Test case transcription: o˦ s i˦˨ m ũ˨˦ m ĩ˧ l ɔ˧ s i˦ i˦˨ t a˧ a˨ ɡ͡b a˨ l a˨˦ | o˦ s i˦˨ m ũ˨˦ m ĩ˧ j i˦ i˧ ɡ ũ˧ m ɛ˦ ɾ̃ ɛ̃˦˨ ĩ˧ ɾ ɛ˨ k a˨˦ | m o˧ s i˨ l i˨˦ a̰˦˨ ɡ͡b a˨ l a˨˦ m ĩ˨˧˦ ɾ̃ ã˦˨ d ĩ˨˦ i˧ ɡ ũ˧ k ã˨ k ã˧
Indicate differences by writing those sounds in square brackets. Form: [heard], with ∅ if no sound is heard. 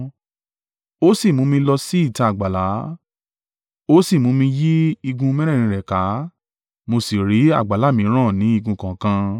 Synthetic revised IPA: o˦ s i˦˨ m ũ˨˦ m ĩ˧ l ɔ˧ s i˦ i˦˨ t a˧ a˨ ɡ͡b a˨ l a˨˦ | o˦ s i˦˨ m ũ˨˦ m ĩ˧ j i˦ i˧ ɡ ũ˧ m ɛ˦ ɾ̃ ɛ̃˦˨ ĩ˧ ɾ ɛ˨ k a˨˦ | m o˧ s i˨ [ɾ] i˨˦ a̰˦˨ ɡ͡b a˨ l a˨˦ m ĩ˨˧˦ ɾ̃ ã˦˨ [n] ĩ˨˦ i˧ ɡ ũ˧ k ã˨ k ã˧